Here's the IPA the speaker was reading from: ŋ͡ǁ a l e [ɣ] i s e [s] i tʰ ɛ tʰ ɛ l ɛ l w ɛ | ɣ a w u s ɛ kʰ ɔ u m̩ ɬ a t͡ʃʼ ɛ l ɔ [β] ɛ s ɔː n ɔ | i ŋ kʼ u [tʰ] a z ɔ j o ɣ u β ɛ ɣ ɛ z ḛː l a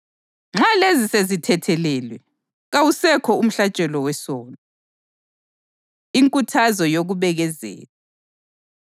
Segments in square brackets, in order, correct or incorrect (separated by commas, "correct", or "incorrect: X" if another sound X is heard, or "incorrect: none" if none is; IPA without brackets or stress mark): incorrect: z, incorrect: z, incorrect: w, correct